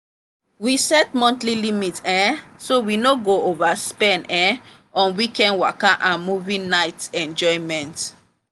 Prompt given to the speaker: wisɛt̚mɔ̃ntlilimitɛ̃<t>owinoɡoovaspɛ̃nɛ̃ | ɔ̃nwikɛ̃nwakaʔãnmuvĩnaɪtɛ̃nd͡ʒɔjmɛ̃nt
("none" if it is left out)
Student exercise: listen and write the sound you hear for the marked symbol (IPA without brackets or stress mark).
s